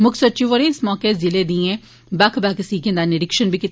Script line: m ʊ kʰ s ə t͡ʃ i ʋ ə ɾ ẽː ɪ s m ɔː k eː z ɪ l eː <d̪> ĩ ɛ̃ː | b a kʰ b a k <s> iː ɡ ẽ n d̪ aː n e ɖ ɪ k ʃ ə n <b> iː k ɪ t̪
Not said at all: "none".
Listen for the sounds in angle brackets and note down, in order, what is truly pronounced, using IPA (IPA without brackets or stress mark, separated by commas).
d̪, s, b